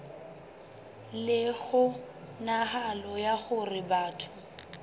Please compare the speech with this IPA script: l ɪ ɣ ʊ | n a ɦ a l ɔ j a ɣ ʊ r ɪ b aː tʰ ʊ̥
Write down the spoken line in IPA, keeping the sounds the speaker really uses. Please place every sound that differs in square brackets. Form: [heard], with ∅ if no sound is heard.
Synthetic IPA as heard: l ɪ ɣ ʊ | n a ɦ a l ɔ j a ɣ ʊ r ɪ b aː tʰ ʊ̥